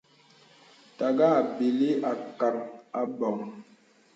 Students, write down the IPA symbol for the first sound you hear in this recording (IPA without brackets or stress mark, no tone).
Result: t